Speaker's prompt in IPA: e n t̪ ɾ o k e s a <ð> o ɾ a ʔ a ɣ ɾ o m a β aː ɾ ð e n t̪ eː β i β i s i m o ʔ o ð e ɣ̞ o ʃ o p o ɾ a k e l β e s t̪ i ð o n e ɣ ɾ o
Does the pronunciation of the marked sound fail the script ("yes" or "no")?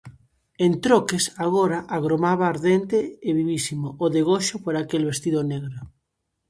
yes